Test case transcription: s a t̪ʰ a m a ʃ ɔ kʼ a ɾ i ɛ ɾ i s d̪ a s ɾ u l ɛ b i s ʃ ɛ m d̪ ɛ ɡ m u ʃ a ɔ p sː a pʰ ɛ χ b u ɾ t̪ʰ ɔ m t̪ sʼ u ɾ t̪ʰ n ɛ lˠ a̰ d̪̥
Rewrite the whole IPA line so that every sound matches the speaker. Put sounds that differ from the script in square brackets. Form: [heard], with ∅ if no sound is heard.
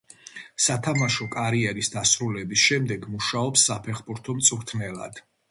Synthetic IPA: s a t̪ʰ a m a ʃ ɔ kʼ a ɾ i ɛ ɾ i s d̪ a s ɾ u l ɛ b i s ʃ ɛ m d̪ ɛ ɡ m u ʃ a ɔ p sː a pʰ ɛ χ b u ɾ t̪ʰ ɔ m t̪ sʼ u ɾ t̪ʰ n ɛ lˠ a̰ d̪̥